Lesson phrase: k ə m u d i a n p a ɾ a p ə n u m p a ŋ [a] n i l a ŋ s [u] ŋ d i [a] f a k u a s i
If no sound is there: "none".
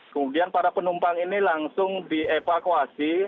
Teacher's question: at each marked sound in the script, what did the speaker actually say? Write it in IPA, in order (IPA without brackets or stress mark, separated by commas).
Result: i, ʊ, e